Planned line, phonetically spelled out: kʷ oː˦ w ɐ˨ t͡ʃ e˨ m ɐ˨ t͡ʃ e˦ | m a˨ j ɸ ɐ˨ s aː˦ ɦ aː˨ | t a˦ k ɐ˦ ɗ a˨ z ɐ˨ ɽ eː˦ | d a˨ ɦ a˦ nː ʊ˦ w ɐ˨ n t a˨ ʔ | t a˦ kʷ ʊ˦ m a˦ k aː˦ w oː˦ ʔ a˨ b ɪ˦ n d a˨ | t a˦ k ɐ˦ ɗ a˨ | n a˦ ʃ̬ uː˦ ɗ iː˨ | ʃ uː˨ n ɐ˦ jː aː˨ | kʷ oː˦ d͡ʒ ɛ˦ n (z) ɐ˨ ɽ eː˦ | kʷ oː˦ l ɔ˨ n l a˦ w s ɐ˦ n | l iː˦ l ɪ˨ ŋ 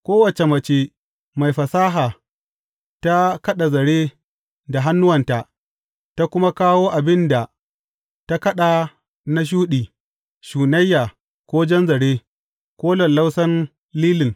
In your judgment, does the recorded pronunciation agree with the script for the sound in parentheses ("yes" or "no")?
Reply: yes